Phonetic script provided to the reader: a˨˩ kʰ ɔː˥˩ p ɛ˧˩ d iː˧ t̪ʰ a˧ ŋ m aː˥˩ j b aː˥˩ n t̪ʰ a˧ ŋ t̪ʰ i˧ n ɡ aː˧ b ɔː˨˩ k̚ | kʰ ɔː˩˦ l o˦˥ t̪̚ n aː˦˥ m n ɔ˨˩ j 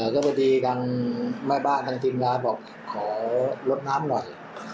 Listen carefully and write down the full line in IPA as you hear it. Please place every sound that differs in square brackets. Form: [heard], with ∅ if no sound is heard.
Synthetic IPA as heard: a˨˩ [k] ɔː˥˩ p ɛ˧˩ d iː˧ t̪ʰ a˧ ŋ m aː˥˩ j b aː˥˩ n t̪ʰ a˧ ŋ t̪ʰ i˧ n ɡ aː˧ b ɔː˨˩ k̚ | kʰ ɔː˩˦ l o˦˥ t̪̚ n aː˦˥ m n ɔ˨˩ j